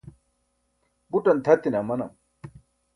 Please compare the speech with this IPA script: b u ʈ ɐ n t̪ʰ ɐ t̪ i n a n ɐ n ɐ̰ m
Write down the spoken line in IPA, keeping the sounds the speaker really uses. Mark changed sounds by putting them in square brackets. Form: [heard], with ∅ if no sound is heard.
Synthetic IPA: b u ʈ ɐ n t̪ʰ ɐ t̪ i n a [m] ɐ n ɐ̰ m